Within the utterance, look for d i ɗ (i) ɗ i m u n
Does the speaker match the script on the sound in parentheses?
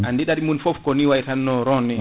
no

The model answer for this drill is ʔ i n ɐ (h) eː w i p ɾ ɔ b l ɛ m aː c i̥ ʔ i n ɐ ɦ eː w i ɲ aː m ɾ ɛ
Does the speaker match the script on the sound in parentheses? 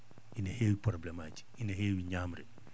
yes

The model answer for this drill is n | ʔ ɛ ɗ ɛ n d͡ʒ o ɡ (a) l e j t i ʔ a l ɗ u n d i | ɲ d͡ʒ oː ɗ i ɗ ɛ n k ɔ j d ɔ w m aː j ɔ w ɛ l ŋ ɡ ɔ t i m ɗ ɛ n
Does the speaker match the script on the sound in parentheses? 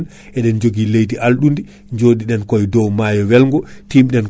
no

